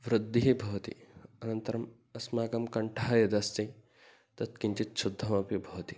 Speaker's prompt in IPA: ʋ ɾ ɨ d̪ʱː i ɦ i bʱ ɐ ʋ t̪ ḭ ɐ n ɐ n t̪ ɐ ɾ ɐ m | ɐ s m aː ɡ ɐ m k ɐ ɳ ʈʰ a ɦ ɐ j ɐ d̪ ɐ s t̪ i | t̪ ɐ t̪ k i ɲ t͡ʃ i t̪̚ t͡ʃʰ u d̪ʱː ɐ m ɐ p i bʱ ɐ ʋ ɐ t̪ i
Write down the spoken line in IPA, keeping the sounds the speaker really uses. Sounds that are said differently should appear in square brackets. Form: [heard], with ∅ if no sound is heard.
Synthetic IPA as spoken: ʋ ɾ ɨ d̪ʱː i ɦ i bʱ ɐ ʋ t̪ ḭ ɐ n ɐ n t̪ ɐ ɾ ɐ m | ɐ s m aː ɡ ɐ m k ɐ ɳ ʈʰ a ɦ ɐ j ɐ d̪ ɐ s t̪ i | t̪ ɐ t̪ k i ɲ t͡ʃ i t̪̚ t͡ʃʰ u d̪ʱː ɐ m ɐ p i bʱ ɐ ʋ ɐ t̪ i

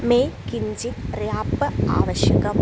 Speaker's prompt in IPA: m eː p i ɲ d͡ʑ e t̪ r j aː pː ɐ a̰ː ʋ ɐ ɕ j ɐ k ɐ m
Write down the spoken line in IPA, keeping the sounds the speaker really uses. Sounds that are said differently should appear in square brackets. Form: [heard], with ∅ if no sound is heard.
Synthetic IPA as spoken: m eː [k] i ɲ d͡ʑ [i] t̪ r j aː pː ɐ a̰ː ʋ ɐ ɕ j ɐ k ɐ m

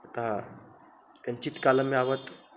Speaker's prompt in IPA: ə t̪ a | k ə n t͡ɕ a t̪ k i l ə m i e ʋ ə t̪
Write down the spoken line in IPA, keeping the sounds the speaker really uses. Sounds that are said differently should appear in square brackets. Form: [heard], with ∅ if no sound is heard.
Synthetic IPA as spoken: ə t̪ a | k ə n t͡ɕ [i] t̪ k [a] l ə m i [a] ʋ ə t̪

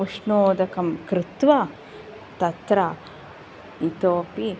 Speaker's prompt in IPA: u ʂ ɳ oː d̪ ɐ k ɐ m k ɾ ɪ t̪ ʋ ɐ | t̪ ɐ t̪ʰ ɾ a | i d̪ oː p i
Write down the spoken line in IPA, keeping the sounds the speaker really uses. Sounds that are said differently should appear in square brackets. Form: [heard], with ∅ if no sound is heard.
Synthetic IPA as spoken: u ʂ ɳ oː d̪ ɐ k ɐ m k ɾ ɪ t̪ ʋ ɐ | t̪ ɐ [t̪] ɾ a | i [t̪] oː p i

